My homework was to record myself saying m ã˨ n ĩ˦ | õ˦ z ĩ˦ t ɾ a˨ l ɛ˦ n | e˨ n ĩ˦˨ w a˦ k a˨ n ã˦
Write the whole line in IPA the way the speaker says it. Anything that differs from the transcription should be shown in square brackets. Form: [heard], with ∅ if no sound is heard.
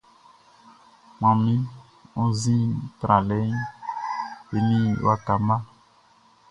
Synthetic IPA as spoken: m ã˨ [m] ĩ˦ | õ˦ z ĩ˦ t ɾ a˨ l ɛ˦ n | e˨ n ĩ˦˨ w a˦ k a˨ [m] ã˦